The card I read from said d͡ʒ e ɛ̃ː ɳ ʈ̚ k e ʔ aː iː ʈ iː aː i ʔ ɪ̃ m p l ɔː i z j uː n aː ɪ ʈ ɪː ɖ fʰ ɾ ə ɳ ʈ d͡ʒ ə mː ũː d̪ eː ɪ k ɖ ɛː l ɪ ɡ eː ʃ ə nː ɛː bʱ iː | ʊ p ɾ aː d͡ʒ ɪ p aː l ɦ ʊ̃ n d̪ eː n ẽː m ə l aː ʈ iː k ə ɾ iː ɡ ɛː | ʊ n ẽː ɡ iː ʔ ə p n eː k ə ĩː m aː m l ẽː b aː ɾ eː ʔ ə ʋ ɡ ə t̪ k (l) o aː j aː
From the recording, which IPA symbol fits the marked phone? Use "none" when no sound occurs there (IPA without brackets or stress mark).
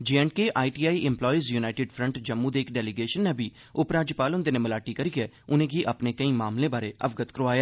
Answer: ɾ